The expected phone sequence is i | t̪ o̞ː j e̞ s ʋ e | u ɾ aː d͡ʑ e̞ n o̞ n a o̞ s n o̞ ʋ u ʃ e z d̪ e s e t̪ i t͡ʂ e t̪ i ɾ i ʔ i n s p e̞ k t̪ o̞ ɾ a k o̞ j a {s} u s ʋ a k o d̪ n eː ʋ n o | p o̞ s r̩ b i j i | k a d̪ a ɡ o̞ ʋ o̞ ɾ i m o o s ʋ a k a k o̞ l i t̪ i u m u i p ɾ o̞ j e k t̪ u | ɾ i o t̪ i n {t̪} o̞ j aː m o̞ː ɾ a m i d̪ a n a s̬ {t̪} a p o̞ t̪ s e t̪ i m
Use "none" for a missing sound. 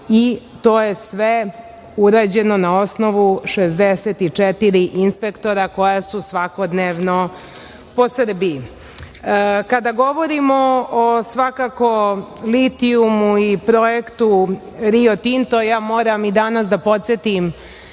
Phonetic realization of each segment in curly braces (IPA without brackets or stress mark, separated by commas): s, t̪, d̪